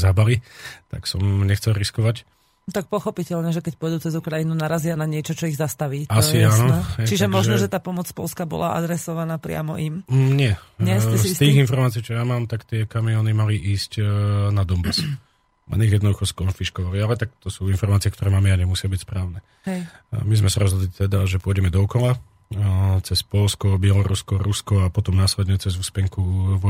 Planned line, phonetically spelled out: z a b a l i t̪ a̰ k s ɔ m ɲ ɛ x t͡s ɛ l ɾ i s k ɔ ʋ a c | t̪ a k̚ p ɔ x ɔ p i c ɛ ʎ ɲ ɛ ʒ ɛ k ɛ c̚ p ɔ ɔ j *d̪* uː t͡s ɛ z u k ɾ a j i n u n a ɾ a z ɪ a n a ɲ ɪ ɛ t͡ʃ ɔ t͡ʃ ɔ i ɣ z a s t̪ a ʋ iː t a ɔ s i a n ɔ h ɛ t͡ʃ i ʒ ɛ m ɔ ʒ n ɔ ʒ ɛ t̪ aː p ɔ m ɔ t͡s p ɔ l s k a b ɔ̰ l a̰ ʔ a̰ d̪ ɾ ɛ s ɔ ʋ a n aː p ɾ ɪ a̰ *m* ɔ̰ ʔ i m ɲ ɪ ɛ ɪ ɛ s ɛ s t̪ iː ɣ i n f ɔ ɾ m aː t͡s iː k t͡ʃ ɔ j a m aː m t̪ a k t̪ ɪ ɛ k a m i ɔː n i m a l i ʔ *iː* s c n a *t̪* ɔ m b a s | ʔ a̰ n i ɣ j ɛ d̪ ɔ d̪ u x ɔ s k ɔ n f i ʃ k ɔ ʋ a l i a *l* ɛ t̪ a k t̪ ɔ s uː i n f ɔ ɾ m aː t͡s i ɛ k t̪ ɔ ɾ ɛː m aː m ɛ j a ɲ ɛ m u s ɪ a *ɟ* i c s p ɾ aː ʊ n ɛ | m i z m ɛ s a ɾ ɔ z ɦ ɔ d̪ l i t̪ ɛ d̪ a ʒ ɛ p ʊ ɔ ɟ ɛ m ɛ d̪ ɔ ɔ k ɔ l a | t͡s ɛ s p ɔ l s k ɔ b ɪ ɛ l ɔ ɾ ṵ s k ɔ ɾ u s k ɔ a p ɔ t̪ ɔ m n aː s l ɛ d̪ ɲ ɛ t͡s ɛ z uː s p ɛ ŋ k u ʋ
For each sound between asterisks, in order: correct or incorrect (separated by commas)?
correct, correct, correct, incorrect, correct, incorrect